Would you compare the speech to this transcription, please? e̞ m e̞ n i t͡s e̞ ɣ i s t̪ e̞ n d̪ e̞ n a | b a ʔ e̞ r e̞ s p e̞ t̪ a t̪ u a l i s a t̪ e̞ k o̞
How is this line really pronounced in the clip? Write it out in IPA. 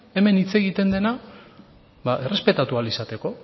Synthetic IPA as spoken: e̞ m e̞ n i t͡s e̞ ɣ i t̪ e̞ n d̪ e̞ n a | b a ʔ e̞ r e̞ s p e̞ t̪ a t̪ u a l i s a t̪ e̞ k o̞

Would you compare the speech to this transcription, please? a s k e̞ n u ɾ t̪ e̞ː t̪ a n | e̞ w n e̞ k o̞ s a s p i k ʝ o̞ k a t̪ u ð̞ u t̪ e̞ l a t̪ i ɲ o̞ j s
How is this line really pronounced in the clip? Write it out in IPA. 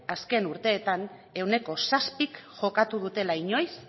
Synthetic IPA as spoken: a s k e̞ n u ɾ t̪ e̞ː t̪ a n | e̞ w n e̞ k o̞ s a s p i k ʝ o̞ k a t̪ u ð̞ u t̪ e̞ l a i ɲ o̞ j s

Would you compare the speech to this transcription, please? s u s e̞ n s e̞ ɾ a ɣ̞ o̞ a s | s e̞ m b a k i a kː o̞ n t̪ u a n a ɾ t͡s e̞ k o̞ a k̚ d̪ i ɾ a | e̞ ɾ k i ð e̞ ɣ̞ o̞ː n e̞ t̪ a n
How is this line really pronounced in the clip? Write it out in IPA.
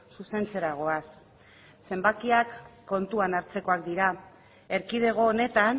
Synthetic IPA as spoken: s u s e̞ n t͡s e̞ ɾ a ɣ̞ o̞ a s | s e̞ m b a k i a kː o̞ n t̪ u a n a ɾ t͡s e̞ k o̞ a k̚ d̪ i ɾ a | e̞ ɾ k i ð e̞ ɣ̞ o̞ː n e̞ t̪ a n

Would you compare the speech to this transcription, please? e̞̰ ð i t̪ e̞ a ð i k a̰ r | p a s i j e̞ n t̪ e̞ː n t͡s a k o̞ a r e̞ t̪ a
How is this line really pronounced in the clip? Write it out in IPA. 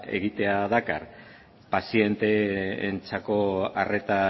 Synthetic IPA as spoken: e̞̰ ɣ i t̪ e̞ a ð a k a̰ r | p a s i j e̞ n t̪ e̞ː n t͡s a k o̞ a r e̞ t̪ a

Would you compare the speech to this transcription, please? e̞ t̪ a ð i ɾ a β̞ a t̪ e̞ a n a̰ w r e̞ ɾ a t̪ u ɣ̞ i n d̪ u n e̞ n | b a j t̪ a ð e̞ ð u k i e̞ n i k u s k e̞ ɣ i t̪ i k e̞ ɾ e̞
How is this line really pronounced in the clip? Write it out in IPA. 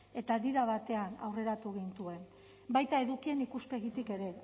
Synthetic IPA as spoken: e̞ t̪ a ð i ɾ a β̞ a t̪ e̞ a n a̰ w r e̞ ɾ a t̪ u ɣ̞ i n t̪ u e̞ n | b a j t̪ a e̞ ð u k i e̞ n i k u s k e̞ ɣ i t̪ i k e̞ ɾ e̞

